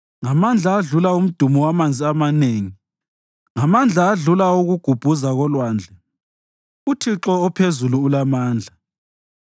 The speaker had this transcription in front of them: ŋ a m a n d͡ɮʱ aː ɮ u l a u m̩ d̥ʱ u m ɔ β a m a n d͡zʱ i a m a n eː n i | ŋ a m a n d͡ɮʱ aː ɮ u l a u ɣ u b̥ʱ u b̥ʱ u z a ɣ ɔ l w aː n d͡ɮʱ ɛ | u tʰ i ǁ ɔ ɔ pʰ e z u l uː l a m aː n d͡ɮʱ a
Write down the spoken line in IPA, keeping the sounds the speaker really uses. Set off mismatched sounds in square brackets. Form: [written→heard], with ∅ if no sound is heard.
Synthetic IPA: ŋ a m a n d͡ɮʱ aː ɮ u l a u m̩ d̥ʱ u m ɔ [β→w] a m a n d͡zʱ i a m a n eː [n→ŋ] i | ŋ a m a n d͡ɮʱ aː ɮ u l a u ɣ u [b̥ʱ→ɡ̥ʱ] u b̥ʱ u z a ɣ ɔ l w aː n d͡ɮʱ ɛ | u tʰ i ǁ ɔ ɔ pʰ e z u l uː l a m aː n d͡ɮʱ a